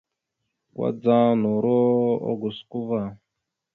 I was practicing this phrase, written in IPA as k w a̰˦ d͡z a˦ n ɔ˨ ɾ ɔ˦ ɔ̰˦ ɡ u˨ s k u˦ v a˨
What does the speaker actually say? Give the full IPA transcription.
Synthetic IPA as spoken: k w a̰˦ d͡z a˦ n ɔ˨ ɾ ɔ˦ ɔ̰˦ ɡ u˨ s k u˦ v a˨